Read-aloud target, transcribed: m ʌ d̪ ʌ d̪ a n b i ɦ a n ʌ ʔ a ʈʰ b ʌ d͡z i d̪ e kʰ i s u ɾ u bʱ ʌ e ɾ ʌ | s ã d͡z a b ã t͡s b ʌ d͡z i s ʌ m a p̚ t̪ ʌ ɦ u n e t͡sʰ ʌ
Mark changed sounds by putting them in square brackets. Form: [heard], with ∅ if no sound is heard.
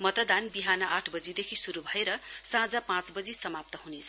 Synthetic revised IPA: m ʌ [t̪] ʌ d̪ a n b i ɦ a n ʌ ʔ a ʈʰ b ʌ d͡z i d̪ e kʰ i s u ɾ u bʱ ʌ e ɾ ʌ | s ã d͡z a [p] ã t͡s b ʌ d͡z i s ʌ m a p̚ t̪ ʌ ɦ u n e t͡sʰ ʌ

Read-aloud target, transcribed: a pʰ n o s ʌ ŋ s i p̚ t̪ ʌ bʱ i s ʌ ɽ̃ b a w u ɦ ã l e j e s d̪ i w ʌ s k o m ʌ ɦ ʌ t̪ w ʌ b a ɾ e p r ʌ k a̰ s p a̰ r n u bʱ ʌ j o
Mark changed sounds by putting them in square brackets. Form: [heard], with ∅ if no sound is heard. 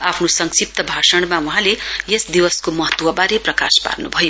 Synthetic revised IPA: a pʰ n o s ʌ ŋ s i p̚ t̪ ʌ bʱ [a] s ʌ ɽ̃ [m] a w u ɦ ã l e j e s d̪ i w ʌ s k o m ʌ ɦ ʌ t̪ w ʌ b a ɾ e p r ʌ k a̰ s p a̰ r n u bʱ ʌ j o

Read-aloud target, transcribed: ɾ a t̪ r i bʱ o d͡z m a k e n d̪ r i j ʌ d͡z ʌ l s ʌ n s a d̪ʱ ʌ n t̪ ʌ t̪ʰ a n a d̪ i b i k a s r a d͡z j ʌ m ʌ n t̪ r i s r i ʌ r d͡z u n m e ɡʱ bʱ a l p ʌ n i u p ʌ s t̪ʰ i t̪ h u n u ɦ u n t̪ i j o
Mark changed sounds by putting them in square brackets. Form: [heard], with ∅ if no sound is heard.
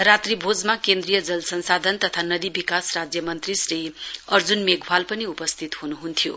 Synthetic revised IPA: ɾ a t̪ r i bʱ o d͡z m a k e n d̪ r i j ʌ d͡z ʌ l s ʌ n s a d̪ʱ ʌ n t̪ ʌ t̪ʰ a n [ʌ] d̪ i b i k a s r a d͡z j ʌ m ʌ n t̪ r i s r i ʌ r d͡z u n m e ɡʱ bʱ a l p ʌ n i u p ʌ s t̪ʰ i t̪ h u n u ɦ u n [t̪ʰ] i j o

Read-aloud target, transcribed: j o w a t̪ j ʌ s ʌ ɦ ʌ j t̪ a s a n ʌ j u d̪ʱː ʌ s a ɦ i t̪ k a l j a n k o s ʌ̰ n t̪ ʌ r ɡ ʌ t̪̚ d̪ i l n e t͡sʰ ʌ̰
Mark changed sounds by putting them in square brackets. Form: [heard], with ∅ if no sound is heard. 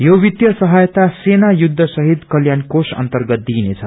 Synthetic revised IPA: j o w [i] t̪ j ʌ s ʌ ɦ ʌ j t̪ a s [e] n [a] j u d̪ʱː ʌ s [ʌ] ɦ i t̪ k [ʌ] l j a n k o s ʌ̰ n t̪ ʌ r ɡ ʌ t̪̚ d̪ i [∅] n e t͡sʰ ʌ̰

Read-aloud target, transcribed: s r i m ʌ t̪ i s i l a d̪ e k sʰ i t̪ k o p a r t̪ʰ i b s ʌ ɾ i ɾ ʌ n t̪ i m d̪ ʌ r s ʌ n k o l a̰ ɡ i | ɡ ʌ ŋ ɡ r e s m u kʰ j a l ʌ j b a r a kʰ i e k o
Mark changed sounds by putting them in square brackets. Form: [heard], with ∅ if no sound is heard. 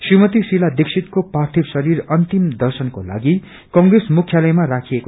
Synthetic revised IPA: s r i m ʌ t̪ i s i l a d̪ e k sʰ i t̪ k o p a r t̪ʰ i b s ʌ ɾ i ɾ ʌ n t̪ i m d̪ ʌ r s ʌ n k o l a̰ ɡ i | [k] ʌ ŋ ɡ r e s m u kʰ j a l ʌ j [m] a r a kʰ i e k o

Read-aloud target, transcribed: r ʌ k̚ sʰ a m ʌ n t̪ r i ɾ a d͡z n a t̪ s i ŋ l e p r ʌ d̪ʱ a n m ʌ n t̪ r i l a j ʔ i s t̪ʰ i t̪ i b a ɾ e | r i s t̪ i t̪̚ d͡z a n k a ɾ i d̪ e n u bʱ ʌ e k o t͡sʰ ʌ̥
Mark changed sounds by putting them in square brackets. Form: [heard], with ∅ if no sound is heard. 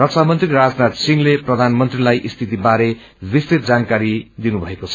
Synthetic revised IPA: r ʌ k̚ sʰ a m ʌ n t̪ r i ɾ a d͡z n a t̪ s i ŋ l e p r ʌ d̪ʱ a n m ʌ n t̪ r i l a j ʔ i s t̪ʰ i t̪ i b a ɾ e | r i s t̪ i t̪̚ d͡z a n k a ɾ i d̪ [i] n u bʱ ʌ e k o t͡sʰ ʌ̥

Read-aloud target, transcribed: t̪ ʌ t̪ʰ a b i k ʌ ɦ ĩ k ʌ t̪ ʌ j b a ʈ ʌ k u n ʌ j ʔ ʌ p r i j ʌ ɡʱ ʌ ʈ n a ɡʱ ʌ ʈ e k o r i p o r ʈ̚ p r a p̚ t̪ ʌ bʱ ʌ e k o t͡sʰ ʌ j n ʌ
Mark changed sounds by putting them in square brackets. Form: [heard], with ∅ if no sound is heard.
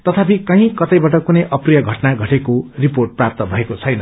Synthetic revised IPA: t̪ ʌ t̪ʰ a [p] i k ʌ ɦ ĩ k ʌ t̪ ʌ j b a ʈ ʌ k u n ʌ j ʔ ʌ p r i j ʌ ɡʱ ʌ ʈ n a ɡʱ ʌ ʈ e k o r i p o r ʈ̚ p r a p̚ t̪ ʌ bʱ ʌ e k o t͡sʰ ʌ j n ʌ

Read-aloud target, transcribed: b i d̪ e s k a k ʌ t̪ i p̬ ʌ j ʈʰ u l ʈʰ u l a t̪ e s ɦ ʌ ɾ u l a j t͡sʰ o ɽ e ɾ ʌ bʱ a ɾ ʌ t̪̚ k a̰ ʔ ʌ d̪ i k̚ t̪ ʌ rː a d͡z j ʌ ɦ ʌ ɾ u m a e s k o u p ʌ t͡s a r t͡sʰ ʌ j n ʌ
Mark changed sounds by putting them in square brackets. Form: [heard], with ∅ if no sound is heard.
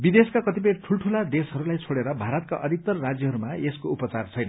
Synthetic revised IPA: b i d̪ e s k a k ʌ t̪ i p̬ ʌ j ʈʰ u l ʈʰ u l a [d̪] e s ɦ ʌ ɾ u l a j t͡sʰ o ɽ e ɾ ʌ bʱ a ɾ ʌ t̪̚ k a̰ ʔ ʌ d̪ i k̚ t̪ ʌ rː a d͡z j ʌ ɦ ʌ ɾ u m a e s k o u p ʌ t͡s a r t͡sʰ ʌ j n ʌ

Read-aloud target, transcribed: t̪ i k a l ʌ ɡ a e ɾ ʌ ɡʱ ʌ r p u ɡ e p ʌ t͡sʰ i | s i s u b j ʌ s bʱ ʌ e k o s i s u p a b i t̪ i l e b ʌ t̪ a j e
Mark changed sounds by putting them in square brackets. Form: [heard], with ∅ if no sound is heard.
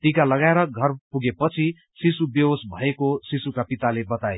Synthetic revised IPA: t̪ i k a l ʌ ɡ a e ɾ ʌ ɡʱ ʌ r p u ɡ e p ʌ t͡sʰ i | s i s u b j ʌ s bʱ ʌ e k o s i s u [k] a [p] i t̪ [a] l e b ʌ t̪ a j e

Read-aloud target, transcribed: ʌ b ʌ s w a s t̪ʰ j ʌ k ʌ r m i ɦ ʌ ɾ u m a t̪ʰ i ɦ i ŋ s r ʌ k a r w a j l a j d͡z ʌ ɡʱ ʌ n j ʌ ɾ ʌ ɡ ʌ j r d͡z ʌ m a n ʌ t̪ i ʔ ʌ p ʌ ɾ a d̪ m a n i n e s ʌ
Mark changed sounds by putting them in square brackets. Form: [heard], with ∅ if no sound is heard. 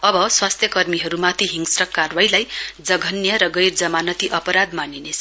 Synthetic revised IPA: ʌ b ʌ s w a s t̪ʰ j ʌ k ʌ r m i ɦ ʌ ɾ u m a t̪ʰ i ɦ i ŋ s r ʌ k a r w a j l a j d͡z ʌ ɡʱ ʌ n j ʌ ɾ ʌ ɡ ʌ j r d͡z ʌ m a n ʌ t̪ i ʔ ʌ p ʌ ɾ a d̪ m a n i n e s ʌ

